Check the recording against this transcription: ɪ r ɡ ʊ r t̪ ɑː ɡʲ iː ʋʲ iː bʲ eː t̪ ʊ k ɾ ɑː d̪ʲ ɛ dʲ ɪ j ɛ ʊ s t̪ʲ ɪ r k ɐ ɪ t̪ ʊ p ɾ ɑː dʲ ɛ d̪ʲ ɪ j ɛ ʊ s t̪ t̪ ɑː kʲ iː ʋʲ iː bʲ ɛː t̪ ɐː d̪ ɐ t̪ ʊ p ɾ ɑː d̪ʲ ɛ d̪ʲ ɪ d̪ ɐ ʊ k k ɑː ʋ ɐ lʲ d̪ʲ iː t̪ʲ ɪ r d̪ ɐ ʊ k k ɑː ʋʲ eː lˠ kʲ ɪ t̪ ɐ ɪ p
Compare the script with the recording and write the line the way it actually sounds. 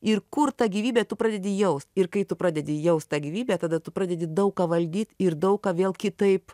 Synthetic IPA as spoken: ɪ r k ʊ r t̪ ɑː ɡʲ iː ʋʲ iː bʲ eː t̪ ʊ p ɾ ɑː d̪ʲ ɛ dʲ ɪ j ɛ ʊ s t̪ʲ ɪ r k ɐ ɪ t̪ ʊ p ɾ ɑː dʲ ɛ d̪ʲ ɪ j ɛ ʊ s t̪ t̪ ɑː ɡʲ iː ʋʲ iː bʲ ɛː t̪ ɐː d̪ ɐ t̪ ʊ p ɾ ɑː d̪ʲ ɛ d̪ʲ ɪ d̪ ɐ ʊ k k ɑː ʋ ɐ lʲ d̪ʲ iː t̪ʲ ɪ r d̪ ɐ ʊ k k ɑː ʋʲ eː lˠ kʲ ɪ t̪ ɐ ɪ p